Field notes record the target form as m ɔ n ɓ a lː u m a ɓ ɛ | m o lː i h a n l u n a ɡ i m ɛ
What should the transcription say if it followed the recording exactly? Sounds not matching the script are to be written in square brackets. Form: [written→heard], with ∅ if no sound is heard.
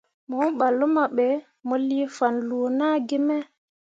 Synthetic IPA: m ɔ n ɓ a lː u m a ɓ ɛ | m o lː i [h→f] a n l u n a ɡ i m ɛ